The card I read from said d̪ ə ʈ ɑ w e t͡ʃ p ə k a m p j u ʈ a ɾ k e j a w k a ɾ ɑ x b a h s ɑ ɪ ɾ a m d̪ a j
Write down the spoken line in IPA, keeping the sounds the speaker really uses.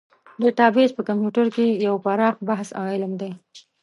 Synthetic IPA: d̪ ə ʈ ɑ b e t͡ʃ p ə k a m p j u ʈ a ɾ k e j a w p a ɾ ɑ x b a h s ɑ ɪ l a m d̪ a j

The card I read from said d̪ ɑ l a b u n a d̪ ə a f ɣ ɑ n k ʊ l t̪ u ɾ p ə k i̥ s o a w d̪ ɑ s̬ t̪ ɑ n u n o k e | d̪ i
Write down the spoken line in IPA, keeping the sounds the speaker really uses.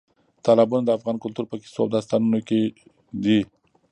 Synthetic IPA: t̪ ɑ l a b u n a d̪ ə a f ɣ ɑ n k ʊ l t̪ u ɾ p ə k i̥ s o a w d̪ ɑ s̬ t̪ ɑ n u n o k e | d̪ i

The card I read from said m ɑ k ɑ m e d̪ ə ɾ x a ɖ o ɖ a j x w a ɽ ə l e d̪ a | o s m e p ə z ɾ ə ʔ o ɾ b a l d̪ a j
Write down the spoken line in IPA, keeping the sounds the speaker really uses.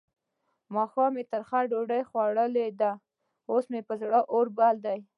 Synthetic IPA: m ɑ x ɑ m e t̪ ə ɾ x a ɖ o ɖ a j x w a ɽ ə l e d̪ a | o s m e p ə z ɽ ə ʔ o ɾ b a l d̪ a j

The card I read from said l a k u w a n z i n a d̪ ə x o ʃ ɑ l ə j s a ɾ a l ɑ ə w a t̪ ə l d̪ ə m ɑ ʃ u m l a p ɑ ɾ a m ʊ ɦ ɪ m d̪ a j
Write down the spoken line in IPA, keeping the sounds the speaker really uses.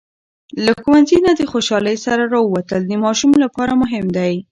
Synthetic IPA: l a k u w a n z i n a d̪ ə x o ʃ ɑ l ə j s a ɾ a ɾ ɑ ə w a t̪ ə l d̪ ə m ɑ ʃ u m l a p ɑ ɾ a m ʊ ɦ ɪ m d̪ a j

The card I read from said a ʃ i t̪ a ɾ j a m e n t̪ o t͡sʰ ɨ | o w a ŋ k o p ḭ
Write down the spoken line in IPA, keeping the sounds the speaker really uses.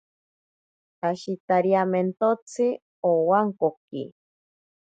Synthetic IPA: a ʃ i t̪ a ɾ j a m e n t̪ o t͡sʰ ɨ | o w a ŋ k o k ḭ

